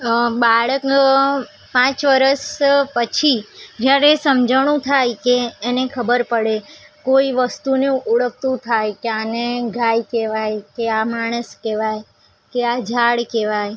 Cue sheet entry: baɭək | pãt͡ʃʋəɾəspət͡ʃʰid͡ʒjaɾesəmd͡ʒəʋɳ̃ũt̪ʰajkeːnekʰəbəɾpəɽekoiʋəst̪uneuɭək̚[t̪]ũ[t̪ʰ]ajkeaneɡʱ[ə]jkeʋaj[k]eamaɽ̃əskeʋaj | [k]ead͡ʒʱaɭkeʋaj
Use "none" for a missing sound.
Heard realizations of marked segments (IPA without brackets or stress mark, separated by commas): t̪, t̪ʰ, a, k, k